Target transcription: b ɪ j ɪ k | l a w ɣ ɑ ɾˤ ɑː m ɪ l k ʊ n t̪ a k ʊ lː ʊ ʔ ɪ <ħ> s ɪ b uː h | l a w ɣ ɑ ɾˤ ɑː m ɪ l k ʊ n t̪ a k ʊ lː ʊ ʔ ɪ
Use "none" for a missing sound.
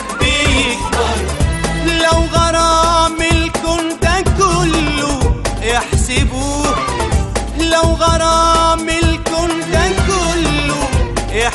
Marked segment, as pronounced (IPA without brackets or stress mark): ħ